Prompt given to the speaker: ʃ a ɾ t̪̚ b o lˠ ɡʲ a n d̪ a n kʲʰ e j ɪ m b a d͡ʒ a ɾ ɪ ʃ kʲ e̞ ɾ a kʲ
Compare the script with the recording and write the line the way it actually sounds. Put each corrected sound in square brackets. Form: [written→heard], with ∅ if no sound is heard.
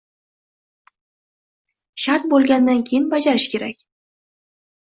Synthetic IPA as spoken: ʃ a ɾ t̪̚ b o lˠ ɡʲ a n d̪ a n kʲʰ e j ɪ [m→n] b a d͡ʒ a ɾ ɪ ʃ kʲ e̞ ɾ a kʲ